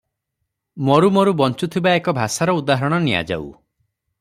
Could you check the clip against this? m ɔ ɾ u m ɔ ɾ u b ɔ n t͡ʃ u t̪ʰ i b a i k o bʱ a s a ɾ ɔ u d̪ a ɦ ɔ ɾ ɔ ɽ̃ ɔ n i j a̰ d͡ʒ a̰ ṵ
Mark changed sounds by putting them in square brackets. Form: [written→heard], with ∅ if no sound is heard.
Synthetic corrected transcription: m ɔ ɾ u m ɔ ɾ u b ɔ n t͡ʃ u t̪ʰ i b a [i→e] k [o→ɔ] bʱ a s a ɾ ɔ u d̪ a ɦ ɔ ɾ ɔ ɽ̃ ɔ n i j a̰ d͡ʒ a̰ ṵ